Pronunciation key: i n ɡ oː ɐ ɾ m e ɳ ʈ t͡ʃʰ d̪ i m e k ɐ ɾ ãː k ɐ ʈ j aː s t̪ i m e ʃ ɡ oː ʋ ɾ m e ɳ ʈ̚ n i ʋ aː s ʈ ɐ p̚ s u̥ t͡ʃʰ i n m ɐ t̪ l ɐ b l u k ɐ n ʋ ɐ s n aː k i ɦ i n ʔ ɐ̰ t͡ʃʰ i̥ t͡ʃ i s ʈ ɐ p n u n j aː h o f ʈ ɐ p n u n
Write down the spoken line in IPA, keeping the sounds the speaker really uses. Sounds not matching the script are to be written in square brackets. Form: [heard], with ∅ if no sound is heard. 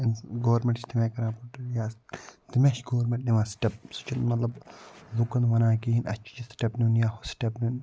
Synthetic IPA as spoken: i n ɡ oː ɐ ɾ m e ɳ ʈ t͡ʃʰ [t̪] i m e k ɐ ɾ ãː [p] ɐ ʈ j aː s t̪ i m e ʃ ɡ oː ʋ ɾ m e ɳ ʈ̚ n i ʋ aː s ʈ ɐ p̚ s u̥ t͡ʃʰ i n m ɐ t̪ l ɐ b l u k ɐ n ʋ ɐ [∅] n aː k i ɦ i n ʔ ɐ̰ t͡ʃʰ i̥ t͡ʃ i s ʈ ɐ p n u n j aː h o [s] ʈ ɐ p n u n